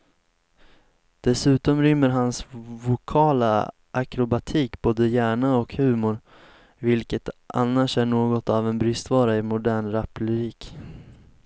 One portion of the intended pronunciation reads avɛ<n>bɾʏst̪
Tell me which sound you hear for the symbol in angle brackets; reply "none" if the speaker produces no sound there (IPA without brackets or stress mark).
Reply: n